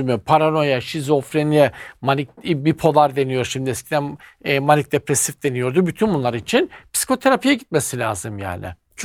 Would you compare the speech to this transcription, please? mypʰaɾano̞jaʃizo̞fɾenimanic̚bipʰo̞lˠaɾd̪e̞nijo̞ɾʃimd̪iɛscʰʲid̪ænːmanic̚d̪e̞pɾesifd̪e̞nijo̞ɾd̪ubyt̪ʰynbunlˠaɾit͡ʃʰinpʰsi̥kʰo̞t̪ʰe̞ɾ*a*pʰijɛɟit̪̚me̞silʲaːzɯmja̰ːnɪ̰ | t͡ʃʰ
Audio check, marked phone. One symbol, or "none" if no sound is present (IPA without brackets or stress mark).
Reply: a